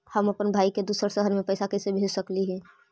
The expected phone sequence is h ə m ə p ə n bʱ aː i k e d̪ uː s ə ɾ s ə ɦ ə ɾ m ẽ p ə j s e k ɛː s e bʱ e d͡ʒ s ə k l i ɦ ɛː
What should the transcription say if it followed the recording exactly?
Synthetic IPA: h ə m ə p ə n bʱ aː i k e d̪ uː s ə ɾ s ə ɦ ə ɾ m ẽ p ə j s a k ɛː s e bʱ e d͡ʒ s ə k l i ɦ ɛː